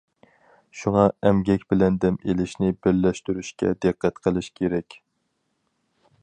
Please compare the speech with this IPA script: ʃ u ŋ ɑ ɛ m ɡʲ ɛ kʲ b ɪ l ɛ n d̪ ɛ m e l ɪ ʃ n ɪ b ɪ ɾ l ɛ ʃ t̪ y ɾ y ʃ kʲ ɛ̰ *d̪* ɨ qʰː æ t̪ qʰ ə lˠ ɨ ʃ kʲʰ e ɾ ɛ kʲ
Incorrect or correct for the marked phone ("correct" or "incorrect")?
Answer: correct